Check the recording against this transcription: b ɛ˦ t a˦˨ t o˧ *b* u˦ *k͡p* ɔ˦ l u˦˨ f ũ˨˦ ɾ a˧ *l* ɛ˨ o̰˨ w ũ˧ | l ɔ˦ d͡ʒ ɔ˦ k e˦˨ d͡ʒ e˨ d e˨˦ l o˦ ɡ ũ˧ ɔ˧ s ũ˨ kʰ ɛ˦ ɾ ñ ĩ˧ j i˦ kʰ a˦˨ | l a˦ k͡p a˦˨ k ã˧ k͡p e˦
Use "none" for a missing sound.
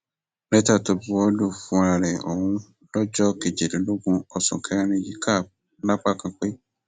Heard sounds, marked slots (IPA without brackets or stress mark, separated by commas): b, none, ɾ